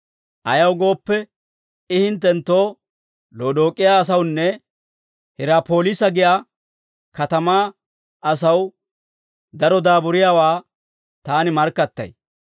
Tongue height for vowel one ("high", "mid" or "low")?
low